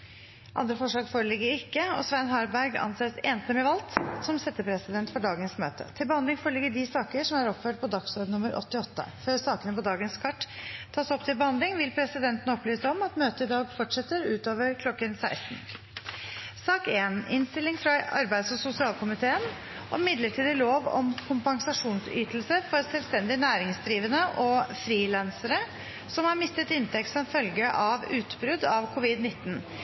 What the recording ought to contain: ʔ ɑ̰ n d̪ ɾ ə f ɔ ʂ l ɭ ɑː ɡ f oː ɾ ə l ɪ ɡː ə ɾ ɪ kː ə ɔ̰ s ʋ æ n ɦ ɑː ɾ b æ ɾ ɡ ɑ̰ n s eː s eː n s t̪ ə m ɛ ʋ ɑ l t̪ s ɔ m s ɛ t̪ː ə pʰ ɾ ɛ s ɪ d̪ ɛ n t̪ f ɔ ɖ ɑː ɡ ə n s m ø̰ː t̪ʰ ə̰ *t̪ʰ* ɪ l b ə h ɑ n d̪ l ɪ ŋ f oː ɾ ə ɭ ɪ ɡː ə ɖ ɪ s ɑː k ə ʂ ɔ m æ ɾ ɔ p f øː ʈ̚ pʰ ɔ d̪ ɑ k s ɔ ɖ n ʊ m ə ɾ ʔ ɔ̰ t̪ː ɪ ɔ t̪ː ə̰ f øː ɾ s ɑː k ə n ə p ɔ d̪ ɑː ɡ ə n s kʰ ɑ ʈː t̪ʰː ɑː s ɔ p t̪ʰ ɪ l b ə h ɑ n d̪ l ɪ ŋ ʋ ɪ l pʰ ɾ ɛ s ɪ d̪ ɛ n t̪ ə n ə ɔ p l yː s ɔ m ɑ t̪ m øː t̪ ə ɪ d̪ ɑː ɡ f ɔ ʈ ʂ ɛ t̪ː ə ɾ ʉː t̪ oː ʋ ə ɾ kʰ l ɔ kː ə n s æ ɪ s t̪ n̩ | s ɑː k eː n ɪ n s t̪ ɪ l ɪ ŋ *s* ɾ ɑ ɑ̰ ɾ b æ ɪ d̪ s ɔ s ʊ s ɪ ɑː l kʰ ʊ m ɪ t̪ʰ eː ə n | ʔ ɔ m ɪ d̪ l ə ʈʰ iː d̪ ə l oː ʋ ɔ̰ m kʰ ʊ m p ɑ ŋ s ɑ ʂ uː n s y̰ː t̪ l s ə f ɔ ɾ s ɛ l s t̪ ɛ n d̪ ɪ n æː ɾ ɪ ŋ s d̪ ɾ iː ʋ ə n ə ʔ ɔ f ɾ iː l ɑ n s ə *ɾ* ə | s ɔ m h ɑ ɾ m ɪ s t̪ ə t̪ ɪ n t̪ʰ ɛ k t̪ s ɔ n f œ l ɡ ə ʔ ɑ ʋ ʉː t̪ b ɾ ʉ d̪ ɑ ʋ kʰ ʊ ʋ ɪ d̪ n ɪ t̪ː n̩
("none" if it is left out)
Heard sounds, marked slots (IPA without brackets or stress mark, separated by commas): t̪ʰ, f, ɾ